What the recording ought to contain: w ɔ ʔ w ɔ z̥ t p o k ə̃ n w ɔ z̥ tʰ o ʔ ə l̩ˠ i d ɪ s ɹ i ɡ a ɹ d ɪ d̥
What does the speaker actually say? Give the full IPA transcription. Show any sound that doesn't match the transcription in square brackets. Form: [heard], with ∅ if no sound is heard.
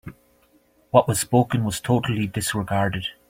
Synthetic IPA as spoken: w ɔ ʔ w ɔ z̥ [s] p o k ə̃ n w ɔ z̥ tʰ o ʔ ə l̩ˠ i d ɪ s ɹ [ɪ] ɡ a ɹ d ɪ d̥

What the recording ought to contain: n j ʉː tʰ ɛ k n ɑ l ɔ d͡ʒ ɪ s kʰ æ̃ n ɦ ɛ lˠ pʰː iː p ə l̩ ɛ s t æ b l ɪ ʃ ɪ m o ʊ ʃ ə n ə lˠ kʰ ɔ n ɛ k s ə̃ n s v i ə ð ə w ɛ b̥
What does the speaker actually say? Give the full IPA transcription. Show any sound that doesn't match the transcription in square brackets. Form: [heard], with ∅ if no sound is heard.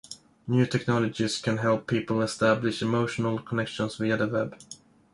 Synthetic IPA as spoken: n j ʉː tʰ ɛ k n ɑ l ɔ d͡ʒ ɪ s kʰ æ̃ n ɦ ɛ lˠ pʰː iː p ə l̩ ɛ s t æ b l ɪ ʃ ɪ m o ʊ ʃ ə n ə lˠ kʰ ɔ n ɛ k [ʃ] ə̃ n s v i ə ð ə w ɛ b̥

